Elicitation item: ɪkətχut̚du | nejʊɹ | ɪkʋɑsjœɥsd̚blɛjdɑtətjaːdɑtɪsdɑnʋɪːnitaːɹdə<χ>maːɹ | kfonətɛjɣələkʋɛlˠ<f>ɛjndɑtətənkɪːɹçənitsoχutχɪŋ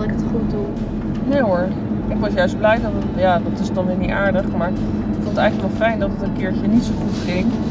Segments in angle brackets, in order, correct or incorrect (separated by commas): correct, correct